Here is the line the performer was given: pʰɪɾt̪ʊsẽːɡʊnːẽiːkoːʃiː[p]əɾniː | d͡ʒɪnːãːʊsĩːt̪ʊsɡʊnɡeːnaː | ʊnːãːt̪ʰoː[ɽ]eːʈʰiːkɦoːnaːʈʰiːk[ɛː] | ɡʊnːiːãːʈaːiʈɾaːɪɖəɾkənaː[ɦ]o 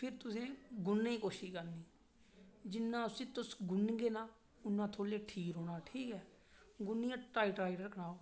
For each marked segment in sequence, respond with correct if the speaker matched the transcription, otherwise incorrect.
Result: incorrect: k, incorrect: l, correct, incorrect: none

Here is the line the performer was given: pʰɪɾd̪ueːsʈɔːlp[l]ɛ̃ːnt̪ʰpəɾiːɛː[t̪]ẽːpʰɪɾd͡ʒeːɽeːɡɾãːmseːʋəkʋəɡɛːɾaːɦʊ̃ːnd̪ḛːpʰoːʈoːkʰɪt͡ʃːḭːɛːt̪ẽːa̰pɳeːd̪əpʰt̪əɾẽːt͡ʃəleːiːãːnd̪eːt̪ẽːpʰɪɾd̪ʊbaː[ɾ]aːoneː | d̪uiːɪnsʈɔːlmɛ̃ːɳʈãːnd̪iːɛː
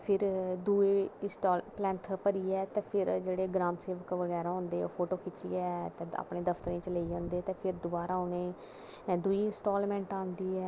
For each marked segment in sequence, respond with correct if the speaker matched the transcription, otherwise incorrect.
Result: correct, correct, correct

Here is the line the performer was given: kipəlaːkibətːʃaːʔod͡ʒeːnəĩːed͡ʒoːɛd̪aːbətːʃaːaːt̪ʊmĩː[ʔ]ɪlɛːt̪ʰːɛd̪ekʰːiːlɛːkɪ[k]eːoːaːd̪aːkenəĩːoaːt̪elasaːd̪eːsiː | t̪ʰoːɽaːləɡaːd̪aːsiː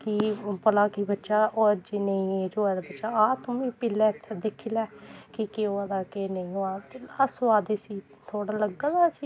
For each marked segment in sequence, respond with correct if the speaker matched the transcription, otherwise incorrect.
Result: incorrect: p, correct

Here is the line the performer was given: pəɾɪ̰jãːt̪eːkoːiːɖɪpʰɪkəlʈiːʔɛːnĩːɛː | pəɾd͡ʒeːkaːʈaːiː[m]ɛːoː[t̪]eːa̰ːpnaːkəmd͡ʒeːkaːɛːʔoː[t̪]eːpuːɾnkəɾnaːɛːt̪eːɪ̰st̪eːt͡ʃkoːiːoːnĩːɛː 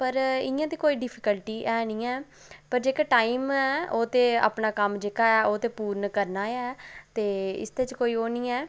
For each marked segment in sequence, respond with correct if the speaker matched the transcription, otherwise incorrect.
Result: correct, correct, correct

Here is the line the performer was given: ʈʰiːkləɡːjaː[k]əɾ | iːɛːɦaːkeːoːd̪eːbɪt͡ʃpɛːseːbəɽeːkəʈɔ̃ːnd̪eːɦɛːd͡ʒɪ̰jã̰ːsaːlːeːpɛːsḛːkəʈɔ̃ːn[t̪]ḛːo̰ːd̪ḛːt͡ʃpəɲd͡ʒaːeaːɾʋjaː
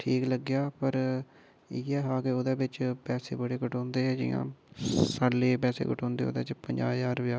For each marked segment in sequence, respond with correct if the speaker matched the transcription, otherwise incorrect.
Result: incorrect: p, incorrect: d̪

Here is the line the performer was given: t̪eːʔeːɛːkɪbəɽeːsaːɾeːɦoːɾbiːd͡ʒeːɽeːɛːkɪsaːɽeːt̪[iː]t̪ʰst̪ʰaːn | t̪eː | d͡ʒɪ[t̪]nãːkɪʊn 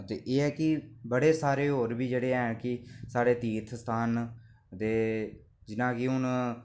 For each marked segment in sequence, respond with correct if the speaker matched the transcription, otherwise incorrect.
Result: correct, incorrect: none

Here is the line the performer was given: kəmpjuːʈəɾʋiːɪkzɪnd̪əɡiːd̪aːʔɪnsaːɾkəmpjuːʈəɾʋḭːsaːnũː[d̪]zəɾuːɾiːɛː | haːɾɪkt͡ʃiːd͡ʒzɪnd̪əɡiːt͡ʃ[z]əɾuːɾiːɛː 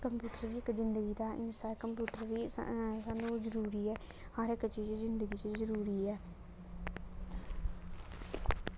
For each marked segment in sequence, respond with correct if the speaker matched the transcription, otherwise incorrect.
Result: incorrect: none, correct

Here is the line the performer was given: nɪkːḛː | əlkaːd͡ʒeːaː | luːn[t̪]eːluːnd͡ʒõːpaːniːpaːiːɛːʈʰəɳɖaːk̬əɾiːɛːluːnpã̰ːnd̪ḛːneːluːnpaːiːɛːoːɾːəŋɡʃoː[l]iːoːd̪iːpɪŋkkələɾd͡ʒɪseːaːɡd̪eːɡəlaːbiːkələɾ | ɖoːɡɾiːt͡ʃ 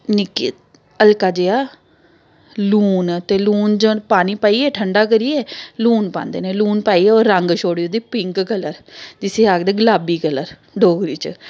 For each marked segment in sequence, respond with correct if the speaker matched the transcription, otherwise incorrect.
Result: correct, incorrect: ɽ

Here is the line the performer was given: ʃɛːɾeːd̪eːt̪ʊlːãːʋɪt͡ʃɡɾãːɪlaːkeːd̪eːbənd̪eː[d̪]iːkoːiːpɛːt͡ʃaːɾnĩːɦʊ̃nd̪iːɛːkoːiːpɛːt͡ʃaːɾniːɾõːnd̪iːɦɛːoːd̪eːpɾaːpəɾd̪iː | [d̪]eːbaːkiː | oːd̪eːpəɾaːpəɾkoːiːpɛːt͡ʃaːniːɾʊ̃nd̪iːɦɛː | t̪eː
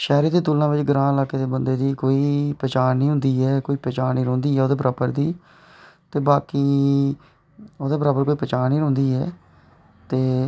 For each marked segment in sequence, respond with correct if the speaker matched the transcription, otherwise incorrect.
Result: correct, incorrect: t̪

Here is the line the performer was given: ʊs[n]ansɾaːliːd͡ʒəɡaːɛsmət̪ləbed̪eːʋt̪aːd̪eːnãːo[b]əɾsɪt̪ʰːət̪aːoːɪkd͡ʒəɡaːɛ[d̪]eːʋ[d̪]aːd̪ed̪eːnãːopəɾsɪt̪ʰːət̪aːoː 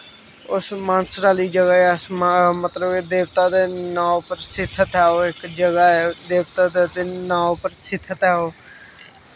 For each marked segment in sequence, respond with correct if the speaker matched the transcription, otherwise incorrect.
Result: incorrect: m, incorrect: p, correct, incorrect: t̪

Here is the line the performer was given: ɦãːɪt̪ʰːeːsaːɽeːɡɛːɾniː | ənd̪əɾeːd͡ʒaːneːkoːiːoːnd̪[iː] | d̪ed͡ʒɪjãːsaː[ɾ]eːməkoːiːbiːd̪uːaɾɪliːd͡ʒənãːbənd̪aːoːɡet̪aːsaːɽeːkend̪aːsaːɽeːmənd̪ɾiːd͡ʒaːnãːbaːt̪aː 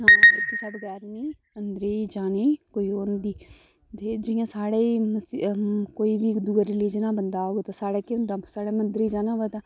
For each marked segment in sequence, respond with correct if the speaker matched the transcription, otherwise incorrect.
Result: correct, incorrect: ɽ

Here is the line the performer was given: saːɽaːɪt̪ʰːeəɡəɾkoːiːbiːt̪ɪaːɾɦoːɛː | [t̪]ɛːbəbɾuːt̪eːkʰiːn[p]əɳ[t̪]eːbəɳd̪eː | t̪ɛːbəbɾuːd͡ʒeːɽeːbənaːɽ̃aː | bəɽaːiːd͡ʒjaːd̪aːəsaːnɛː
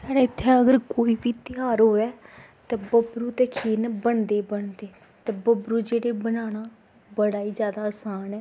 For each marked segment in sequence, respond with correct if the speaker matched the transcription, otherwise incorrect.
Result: correct, incorrect: b, incorrect: d̪

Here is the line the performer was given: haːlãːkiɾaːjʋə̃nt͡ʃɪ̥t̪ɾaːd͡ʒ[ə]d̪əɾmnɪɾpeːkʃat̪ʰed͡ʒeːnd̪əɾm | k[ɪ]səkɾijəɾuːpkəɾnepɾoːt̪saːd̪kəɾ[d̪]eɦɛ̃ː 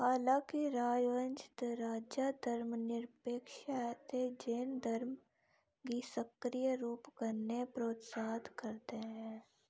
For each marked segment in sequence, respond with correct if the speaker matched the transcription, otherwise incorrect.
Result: incorrect: a, incorrect: i, incorrect: t̪

